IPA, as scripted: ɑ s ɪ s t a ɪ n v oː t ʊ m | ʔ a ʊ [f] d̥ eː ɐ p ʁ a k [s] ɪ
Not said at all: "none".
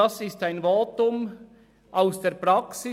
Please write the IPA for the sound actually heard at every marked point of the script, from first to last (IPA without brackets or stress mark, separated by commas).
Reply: s, s